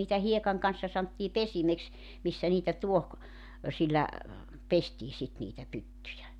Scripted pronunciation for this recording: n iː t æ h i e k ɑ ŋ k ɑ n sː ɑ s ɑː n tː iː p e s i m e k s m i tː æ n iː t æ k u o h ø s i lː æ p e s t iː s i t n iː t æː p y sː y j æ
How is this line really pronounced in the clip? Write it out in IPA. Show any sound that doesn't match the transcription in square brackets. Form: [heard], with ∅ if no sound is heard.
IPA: n iː t æ h i e k ɑ ŋ k ɑ n sː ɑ s [ɑ] n tː iː p e s i m e k s m i [sː] æ n iː t æ [t] u o h ø s i lː æ p e s t iː s i t n iː t [æ] p y [tː] y j æ